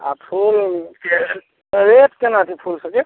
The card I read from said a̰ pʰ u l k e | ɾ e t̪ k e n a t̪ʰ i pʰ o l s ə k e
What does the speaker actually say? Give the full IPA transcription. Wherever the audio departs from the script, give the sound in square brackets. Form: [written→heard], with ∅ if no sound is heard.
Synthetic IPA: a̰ pʰ u l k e | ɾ e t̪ k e n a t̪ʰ i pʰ [o→u] l s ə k e